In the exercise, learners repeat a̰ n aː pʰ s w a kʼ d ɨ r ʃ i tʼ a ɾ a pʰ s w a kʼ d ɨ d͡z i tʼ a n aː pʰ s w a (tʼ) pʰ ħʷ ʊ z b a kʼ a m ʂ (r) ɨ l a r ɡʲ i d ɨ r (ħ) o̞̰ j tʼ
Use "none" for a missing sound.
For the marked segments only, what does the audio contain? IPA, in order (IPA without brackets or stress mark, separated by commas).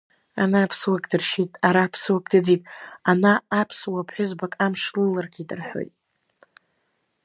none, l, ħ